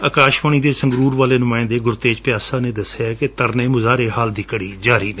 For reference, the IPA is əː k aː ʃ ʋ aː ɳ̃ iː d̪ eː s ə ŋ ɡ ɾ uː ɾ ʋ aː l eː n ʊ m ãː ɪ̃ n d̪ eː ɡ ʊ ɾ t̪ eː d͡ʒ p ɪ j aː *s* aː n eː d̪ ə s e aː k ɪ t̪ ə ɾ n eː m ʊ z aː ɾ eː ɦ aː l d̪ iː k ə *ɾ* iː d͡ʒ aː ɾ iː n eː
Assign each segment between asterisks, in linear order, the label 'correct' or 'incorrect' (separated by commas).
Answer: correct, incorrect